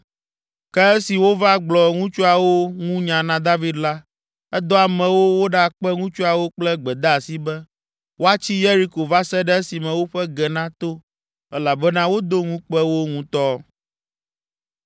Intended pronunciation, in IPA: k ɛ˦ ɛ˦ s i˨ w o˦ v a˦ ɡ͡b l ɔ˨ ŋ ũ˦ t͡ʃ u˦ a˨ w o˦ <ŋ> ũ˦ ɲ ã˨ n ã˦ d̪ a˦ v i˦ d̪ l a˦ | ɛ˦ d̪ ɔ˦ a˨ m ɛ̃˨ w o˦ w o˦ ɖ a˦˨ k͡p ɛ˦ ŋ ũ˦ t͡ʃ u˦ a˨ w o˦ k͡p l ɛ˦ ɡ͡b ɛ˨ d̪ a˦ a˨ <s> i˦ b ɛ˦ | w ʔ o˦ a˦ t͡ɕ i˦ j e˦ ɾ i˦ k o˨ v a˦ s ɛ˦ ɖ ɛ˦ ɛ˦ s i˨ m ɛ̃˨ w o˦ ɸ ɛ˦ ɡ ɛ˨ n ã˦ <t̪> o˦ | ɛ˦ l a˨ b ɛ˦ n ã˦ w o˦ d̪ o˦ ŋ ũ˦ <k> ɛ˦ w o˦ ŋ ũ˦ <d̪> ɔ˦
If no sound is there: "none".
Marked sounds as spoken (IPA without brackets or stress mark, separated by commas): ŋ, s, t̪, k͡p, t̪